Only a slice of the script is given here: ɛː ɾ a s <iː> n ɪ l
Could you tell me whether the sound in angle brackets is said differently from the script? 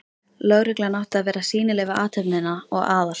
no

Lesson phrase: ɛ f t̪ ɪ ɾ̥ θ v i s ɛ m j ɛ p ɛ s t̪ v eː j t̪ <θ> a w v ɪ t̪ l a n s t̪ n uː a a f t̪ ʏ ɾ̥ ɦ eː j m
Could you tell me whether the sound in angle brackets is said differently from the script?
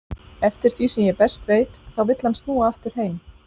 no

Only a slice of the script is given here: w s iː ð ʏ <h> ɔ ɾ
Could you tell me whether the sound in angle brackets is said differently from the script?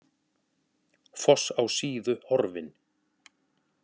no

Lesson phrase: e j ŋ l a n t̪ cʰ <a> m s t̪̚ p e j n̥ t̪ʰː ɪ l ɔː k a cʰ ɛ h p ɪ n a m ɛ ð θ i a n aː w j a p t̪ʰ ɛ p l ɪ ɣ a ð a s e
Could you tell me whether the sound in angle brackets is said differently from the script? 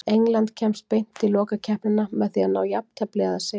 yes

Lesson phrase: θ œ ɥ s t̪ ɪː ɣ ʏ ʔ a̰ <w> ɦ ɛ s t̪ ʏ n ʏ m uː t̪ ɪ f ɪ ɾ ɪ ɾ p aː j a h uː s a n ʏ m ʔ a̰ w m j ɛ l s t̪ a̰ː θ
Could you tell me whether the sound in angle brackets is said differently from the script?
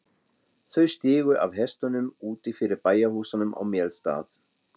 yes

